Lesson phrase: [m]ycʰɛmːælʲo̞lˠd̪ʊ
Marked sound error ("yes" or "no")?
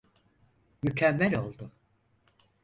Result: no